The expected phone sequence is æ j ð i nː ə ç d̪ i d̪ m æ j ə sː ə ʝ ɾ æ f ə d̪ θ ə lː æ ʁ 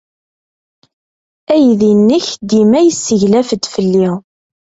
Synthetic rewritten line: æ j ð i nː ə ç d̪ i m æ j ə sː ə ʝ l æ f ə d̪ f ə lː i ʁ

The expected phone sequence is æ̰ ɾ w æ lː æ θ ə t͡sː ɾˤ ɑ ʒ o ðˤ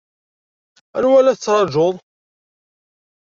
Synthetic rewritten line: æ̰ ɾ w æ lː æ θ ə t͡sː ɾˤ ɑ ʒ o ðˤ

